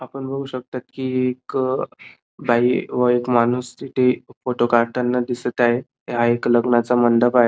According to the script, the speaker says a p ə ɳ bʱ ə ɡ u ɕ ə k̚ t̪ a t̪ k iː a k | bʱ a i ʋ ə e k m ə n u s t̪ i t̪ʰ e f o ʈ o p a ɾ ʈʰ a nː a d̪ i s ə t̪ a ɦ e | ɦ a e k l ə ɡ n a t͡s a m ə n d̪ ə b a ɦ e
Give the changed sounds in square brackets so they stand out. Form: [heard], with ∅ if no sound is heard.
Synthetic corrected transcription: a p ə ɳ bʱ ə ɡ u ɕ ə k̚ t̪ a t̪ k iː [e] k | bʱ a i ʋ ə e k m [a] n u s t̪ i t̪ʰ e f o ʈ o [k] a ɾ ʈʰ a nː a d̪ i s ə t̪ a ɦ e | ɦ a e k l ə ɡ n a t͡s a m ə n d̪ ə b a ɦ e